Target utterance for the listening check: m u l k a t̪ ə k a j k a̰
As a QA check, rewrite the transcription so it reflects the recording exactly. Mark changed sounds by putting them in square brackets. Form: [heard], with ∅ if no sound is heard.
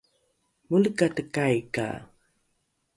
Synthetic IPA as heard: m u l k a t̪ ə k a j k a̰